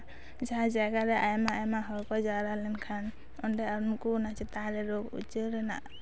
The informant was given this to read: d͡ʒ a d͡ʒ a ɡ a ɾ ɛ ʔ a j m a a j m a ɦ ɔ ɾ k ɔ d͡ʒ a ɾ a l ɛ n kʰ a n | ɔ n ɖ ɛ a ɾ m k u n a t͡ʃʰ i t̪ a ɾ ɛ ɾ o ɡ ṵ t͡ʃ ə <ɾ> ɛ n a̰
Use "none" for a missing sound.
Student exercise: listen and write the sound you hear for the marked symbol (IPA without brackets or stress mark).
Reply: ɾ